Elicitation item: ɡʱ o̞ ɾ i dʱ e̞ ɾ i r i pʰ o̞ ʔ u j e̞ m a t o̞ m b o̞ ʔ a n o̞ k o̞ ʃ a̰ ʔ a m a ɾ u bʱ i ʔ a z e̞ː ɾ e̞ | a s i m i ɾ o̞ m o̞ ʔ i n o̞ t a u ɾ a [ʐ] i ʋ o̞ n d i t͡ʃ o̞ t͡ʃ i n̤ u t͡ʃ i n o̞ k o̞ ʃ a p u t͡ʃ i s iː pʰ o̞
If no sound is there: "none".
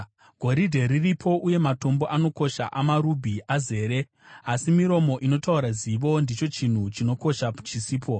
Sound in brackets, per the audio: z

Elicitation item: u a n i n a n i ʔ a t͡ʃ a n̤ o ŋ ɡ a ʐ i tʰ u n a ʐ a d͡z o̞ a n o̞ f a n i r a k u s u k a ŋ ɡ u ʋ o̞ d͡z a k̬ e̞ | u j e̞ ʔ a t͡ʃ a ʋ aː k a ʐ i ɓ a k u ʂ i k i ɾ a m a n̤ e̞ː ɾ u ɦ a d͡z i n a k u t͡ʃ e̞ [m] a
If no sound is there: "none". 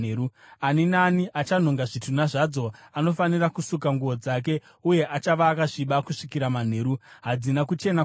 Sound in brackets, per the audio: n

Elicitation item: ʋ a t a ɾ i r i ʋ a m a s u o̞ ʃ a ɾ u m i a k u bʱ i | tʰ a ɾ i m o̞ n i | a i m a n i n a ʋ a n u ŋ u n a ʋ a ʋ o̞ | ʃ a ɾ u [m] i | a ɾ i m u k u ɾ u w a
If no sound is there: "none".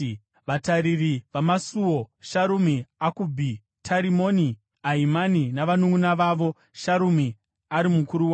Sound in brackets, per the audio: m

